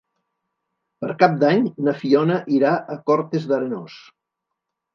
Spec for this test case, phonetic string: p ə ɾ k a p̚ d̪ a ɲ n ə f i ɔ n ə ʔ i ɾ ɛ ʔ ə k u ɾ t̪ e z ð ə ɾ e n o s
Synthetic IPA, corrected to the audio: p ə ɾ k a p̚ d̪ a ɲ n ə f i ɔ n ə ʔ i ɾ a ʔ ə k ɔ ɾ t̪ e z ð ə ɾ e n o s

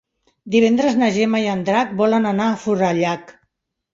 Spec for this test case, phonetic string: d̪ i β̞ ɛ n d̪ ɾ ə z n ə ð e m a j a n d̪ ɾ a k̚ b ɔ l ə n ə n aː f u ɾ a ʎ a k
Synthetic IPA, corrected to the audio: d̪ i β̞ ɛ n d̪ ɾ ə z n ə ʒ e m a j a n d̪ ɾ a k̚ b ɔ l ə n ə n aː f u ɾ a ʎ a k

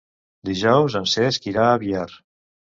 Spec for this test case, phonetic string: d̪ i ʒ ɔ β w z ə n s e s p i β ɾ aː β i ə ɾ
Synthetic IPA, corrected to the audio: d̪ i ʒ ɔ w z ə n s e s k i ɾ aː β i a ɾ

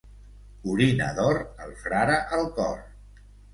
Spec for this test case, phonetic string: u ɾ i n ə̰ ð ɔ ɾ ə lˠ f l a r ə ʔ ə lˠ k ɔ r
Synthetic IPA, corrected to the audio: u ɾ i n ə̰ ð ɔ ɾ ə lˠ f ɾ a ɾ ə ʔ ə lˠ k ɔ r

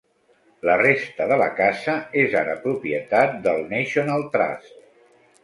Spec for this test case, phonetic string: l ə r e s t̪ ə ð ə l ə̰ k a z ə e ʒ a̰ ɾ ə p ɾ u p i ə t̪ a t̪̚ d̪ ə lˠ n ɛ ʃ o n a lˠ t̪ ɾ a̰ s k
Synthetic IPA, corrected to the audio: l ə r e s t̪ ə ð ə l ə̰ k a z ə e z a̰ ɾ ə p ɾ u p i ə t̪ a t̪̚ d̪ ə lˠ n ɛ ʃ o n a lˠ t̪ ɾ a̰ s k

